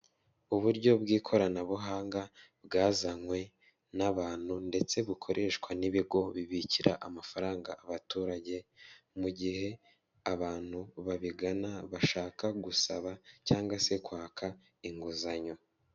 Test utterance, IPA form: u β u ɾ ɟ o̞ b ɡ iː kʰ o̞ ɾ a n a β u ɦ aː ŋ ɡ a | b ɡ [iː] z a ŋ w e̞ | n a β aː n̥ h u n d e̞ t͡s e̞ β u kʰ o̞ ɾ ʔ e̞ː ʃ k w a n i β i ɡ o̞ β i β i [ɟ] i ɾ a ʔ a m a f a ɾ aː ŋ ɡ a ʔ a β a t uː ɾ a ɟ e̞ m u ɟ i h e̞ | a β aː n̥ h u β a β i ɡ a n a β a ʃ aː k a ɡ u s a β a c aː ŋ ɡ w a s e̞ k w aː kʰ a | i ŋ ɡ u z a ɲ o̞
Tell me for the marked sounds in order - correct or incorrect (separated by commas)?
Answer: incorrect, incorrect